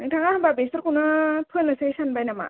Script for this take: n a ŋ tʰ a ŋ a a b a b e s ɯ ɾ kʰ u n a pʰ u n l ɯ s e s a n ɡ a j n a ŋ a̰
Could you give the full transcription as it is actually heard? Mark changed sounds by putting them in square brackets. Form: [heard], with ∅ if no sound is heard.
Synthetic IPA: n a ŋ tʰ a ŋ a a b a b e s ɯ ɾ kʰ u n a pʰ [ɯ] n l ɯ s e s a n [b] a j n a [m] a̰